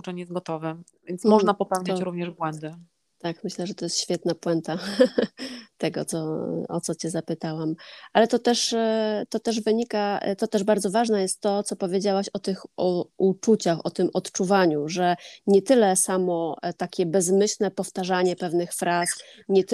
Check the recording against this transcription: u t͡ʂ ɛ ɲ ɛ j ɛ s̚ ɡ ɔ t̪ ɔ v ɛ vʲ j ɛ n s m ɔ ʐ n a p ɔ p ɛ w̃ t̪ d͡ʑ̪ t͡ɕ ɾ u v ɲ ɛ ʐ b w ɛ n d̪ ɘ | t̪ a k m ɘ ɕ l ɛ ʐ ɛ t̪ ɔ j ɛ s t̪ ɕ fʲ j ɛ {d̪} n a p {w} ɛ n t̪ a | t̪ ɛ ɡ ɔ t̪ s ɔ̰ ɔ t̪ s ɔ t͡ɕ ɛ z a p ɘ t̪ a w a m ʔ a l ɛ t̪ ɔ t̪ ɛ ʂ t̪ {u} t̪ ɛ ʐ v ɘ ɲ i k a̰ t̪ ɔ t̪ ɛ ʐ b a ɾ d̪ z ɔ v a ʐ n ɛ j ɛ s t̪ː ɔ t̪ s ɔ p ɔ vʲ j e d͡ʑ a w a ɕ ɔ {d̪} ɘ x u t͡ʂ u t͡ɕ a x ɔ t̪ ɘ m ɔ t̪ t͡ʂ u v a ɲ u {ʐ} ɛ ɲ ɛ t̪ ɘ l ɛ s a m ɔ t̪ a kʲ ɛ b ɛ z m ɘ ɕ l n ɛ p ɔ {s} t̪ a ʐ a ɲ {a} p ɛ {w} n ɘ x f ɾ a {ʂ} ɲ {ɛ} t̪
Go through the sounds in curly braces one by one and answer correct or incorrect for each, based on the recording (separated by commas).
incorrect, correct, incorrect, incorrect, correct, incorrect, incorrect, incorrect, incorrect, correct